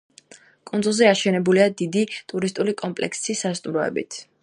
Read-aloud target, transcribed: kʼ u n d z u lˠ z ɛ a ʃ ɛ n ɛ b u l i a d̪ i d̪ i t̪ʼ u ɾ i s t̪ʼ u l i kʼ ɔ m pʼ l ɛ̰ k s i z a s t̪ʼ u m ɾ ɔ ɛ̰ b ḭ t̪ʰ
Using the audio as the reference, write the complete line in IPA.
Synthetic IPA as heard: kʼ u n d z u lˠ z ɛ a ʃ ɛ n ɛ b u l i a d̪ i d̪ i t̪ʼ u ɾ i s t̪ʼ u l i kʼ ɔ m pʼ l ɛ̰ k s i s a s t̪ʼ u m ɾ ɔ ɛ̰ b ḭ t̪ʰ